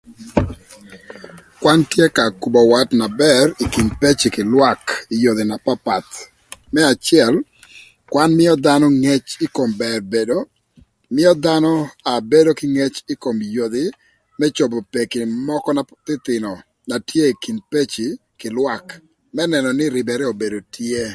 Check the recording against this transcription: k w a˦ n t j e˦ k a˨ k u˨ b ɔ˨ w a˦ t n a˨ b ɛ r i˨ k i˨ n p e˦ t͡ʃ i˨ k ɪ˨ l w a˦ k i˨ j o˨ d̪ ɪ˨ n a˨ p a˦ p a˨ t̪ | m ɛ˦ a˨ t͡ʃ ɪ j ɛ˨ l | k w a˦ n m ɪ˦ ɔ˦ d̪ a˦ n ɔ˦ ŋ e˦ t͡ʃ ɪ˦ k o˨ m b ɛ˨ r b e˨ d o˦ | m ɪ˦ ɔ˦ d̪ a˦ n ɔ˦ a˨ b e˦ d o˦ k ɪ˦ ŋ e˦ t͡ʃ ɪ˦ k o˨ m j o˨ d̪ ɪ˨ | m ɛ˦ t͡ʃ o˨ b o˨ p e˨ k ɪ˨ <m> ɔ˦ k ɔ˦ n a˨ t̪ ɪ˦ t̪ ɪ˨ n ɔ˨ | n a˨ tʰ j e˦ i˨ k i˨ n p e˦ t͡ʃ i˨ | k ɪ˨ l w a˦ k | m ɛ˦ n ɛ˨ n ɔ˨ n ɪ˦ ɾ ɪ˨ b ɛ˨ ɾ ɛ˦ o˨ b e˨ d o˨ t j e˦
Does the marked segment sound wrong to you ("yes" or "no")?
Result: no